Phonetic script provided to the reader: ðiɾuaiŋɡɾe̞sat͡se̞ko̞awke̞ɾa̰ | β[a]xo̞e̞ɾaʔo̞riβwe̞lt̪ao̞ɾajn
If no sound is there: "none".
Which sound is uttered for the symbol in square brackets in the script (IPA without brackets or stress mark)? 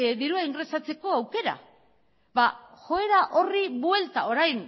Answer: a